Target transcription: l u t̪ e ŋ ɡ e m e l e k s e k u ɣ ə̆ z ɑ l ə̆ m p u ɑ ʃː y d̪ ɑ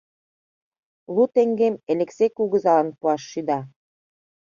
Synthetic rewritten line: l u t̪ e ŋ ɡ e m e l e k s e k u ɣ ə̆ z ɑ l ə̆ n p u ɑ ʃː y d̪ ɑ